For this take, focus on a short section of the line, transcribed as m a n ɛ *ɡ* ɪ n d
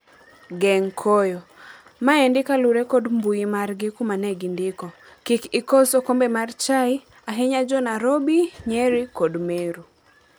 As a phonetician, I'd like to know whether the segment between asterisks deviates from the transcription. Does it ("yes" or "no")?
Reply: no